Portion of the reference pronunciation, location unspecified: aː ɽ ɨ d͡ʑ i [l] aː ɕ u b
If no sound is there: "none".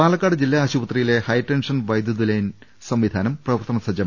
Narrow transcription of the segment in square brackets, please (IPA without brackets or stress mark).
lː